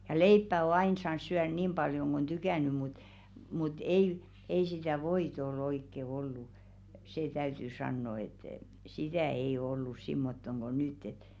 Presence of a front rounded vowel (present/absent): present